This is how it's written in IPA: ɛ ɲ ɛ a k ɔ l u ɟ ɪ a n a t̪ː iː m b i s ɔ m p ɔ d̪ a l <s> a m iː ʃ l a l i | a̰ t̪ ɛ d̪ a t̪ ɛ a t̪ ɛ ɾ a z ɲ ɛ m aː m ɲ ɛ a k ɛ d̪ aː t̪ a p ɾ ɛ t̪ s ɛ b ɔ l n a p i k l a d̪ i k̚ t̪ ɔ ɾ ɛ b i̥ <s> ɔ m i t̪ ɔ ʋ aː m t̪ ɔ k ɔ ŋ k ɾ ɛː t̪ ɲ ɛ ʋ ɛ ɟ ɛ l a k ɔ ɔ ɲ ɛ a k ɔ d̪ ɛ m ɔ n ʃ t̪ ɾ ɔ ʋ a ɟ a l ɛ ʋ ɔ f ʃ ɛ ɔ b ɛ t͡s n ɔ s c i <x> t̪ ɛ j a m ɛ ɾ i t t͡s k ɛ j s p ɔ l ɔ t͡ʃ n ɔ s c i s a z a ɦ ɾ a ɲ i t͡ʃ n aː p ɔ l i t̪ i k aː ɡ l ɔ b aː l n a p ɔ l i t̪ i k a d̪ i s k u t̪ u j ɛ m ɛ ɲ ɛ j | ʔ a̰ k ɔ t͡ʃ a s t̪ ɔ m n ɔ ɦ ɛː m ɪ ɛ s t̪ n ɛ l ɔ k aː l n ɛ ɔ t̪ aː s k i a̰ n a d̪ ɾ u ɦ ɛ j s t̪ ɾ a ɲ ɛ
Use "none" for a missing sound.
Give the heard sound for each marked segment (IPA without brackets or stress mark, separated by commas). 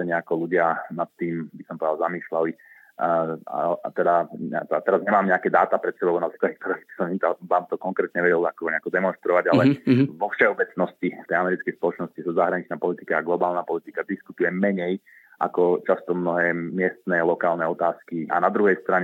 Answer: z, s, f